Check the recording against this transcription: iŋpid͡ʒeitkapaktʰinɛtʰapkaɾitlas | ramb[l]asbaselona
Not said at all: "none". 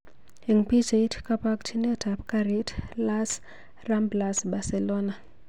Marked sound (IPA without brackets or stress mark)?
l